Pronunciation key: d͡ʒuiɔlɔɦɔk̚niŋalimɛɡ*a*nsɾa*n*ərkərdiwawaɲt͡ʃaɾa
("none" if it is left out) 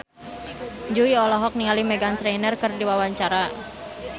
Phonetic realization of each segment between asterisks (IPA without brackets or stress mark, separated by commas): a, n